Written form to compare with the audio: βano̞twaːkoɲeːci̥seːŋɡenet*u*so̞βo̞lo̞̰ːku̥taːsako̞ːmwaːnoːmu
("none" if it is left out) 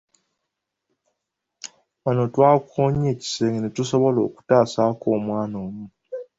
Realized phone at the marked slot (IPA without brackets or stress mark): u